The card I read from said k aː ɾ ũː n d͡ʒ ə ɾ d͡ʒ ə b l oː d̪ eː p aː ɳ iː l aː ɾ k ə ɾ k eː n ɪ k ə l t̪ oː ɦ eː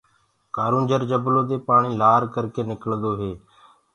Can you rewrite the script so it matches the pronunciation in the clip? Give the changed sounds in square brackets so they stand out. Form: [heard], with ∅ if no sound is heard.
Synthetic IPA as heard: k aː ɾ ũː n d͡ʒ ə ɾ d͡ʒ ə b l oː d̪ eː p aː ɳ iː l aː ɾ k ə ɾ k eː n ɪ k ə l [d̪] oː ɦ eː